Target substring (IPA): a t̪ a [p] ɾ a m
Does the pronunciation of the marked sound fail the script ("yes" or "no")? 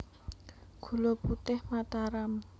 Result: yes